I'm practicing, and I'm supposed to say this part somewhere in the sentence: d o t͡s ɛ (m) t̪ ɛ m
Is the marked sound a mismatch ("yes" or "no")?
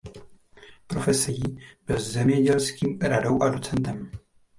yes